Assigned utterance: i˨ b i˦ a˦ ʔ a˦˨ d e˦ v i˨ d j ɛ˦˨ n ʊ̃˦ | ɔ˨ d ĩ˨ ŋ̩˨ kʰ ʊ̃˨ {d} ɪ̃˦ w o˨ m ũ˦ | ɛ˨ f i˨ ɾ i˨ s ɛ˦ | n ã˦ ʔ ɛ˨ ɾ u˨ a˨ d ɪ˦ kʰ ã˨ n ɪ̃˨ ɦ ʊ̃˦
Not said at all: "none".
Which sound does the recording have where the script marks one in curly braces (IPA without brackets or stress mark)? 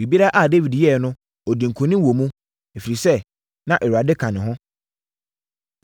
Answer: n